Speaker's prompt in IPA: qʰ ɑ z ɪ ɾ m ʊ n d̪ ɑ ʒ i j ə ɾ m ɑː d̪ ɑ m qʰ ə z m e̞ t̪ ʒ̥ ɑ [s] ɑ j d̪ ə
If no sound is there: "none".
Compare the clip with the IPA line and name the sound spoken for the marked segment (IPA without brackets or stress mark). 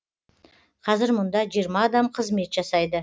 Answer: s